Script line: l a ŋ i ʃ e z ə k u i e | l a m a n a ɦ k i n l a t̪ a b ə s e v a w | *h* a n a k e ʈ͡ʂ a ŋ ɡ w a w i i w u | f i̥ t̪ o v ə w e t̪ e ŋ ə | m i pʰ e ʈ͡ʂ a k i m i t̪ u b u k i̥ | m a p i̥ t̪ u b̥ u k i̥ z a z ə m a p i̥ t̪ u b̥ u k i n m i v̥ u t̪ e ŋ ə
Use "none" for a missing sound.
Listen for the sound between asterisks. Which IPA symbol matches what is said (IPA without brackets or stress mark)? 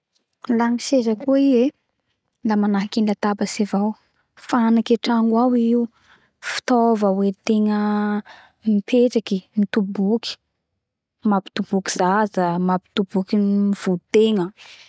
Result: f